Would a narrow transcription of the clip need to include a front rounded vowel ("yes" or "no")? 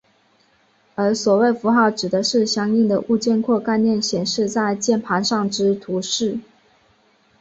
no